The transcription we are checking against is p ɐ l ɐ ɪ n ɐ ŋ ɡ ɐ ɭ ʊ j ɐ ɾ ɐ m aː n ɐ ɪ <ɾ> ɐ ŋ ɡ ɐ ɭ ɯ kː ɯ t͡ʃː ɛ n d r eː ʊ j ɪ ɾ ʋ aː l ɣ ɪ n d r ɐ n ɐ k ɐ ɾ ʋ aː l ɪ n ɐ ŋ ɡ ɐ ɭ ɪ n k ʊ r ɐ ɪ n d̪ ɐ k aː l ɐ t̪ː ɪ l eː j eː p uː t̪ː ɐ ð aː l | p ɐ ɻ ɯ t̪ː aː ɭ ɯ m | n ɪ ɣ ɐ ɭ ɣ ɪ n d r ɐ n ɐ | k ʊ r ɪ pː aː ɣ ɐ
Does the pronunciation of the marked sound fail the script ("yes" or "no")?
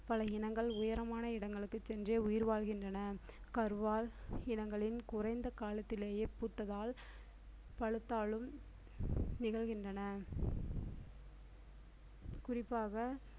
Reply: yes